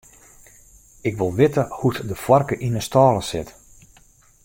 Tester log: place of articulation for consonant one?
velar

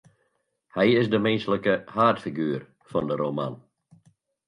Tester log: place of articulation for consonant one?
glottal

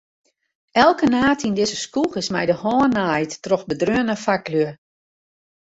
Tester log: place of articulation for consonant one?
alveolar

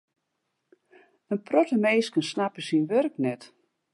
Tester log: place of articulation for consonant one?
alveolar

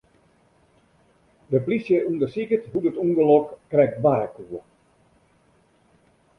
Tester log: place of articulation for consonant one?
alveolar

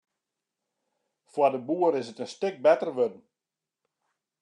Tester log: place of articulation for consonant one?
labial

